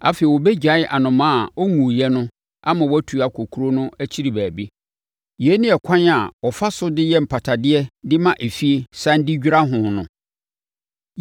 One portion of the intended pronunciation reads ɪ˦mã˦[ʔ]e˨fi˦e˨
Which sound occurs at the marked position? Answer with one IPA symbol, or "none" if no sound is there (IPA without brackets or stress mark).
ʔ